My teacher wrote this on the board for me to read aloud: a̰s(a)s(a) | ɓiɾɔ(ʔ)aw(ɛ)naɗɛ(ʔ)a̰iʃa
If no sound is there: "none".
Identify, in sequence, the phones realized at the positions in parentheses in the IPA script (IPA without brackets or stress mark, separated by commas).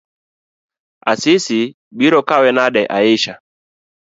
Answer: i, i, k, ɛ, ʔ